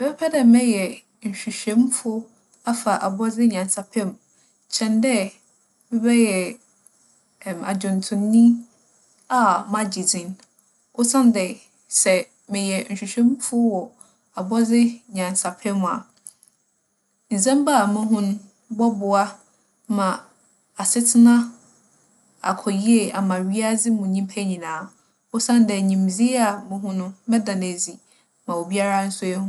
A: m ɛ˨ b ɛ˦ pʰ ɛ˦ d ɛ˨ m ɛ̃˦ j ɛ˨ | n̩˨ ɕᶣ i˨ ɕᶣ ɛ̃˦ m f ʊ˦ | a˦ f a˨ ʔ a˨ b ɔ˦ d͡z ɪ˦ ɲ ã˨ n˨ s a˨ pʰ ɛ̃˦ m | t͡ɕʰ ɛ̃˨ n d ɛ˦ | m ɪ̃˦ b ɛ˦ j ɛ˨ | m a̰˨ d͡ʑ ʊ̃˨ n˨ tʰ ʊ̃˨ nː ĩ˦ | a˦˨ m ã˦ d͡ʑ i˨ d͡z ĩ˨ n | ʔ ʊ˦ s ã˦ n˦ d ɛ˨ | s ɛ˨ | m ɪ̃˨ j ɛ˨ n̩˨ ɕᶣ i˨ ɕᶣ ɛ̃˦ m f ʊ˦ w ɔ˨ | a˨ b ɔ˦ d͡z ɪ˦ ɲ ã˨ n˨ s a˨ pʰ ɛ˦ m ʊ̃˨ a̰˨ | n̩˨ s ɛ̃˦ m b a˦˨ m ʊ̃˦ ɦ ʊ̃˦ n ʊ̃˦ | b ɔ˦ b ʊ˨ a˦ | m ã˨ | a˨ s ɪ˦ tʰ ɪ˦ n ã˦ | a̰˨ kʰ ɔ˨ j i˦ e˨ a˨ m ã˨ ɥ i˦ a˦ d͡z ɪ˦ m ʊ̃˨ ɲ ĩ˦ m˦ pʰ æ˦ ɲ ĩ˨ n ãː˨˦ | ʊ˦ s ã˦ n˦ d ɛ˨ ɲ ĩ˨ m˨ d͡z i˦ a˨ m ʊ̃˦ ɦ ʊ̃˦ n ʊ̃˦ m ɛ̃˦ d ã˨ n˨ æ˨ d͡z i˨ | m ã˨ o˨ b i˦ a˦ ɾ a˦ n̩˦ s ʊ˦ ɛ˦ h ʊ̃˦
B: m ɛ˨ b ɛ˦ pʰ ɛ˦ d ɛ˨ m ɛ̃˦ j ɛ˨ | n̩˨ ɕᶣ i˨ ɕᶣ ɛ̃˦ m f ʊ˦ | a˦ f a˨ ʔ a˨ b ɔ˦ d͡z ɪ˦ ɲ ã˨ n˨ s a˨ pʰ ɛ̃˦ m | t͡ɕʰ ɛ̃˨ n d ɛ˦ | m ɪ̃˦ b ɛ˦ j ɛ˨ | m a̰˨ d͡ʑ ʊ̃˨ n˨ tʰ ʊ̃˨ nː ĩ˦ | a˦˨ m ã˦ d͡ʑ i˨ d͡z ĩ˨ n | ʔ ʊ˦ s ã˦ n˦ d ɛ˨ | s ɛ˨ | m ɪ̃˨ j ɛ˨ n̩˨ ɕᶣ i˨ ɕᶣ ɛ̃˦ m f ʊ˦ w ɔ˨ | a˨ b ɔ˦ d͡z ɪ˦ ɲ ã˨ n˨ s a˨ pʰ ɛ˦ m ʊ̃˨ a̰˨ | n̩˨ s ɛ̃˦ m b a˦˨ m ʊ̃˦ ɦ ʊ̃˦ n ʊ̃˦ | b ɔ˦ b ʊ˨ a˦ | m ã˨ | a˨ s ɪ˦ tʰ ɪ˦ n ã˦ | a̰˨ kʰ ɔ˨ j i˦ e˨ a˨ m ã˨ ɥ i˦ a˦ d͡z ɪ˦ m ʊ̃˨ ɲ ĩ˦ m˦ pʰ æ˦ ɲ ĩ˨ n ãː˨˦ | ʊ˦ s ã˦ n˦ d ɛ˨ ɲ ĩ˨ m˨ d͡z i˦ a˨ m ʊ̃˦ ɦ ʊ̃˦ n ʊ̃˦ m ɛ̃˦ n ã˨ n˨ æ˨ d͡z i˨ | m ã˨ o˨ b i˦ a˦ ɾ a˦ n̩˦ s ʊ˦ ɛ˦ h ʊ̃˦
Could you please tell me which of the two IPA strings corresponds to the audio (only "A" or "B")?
A